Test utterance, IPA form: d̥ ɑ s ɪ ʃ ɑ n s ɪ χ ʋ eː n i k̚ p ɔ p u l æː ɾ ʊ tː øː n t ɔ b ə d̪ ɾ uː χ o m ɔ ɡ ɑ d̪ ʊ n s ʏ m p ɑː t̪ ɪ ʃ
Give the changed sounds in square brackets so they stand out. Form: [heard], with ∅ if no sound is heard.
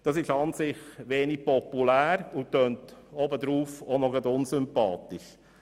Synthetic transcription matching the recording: d̥ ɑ s ɪ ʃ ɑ n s ɪ χ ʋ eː n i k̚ p ɔ p u l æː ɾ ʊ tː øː n t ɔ b ə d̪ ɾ uː [f] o [n] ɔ ɡ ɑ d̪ ʊ n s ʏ m p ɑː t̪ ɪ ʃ